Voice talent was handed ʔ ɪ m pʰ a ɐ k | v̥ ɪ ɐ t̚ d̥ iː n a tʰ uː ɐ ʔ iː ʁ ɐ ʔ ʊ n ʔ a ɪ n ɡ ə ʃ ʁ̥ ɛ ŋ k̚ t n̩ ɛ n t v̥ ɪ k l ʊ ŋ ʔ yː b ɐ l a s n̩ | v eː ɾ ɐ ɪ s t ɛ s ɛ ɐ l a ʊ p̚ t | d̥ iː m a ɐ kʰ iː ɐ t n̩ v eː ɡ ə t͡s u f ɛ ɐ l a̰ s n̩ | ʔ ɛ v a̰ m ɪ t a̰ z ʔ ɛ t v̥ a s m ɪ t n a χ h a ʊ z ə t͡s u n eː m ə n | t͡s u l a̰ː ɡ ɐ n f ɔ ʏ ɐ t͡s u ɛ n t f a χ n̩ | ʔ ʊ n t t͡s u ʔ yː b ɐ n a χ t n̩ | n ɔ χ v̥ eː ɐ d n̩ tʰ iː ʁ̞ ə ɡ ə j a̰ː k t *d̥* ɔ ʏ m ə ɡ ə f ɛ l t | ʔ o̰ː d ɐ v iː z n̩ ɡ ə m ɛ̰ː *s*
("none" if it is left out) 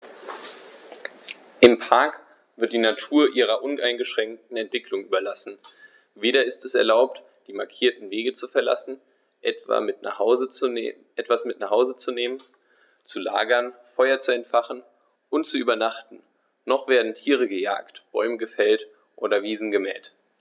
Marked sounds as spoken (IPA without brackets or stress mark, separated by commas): b̥, t